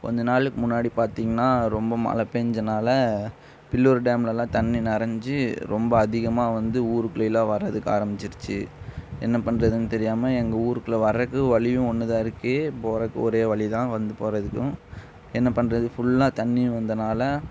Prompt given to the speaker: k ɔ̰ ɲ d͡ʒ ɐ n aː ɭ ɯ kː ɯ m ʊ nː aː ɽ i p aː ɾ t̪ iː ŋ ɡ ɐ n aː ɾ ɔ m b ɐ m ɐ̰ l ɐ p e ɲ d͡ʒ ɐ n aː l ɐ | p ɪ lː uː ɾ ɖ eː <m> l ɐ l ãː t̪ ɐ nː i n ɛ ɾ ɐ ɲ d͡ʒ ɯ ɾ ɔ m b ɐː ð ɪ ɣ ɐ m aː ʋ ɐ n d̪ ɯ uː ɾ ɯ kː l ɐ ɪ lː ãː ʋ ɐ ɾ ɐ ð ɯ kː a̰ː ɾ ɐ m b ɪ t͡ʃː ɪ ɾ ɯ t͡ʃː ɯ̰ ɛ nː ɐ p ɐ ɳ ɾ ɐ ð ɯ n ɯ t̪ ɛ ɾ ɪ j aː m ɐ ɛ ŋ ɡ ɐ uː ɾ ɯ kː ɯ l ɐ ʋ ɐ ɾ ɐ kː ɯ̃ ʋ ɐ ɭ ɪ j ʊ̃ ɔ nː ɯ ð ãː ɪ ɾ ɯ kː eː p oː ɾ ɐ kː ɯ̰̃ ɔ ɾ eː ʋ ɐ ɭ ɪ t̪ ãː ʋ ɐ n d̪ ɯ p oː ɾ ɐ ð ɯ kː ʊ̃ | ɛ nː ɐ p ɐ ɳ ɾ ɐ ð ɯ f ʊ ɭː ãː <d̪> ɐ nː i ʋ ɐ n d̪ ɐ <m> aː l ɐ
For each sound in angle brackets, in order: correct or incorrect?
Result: correct, incorrect, incorrect

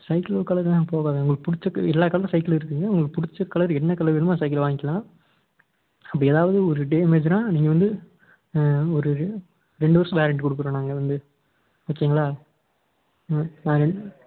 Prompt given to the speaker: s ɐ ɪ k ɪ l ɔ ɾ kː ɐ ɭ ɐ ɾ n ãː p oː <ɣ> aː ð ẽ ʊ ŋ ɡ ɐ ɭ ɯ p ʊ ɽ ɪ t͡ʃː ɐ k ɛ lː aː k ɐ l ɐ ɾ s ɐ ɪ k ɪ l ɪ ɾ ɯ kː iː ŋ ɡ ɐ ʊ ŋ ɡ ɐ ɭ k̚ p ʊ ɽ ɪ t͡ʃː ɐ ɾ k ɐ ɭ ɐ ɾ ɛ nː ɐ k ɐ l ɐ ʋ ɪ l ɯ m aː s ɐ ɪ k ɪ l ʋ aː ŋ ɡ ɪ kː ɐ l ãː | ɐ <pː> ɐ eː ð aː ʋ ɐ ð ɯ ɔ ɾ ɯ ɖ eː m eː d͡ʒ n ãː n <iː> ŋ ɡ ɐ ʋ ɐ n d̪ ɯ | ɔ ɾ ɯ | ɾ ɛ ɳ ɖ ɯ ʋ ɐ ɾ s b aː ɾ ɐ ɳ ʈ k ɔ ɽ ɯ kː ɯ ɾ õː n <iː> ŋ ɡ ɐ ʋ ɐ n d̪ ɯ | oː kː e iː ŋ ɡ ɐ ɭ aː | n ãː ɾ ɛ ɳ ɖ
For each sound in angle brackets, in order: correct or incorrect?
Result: correct, correct, correct, incorrect

